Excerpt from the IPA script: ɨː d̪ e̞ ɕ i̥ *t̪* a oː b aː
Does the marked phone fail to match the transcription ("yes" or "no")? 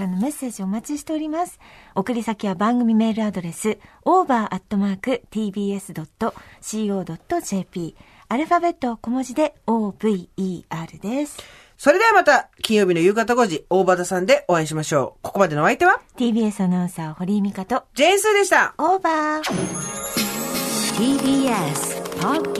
no